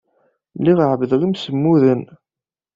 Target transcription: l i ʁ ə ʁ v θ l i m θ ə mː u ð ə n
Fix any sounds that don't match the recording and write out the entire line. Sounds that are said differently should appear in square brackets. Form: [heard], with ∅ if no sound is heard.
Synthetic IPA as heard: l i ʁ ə [ʕ] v [ð] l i m [s] ə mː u ð ə n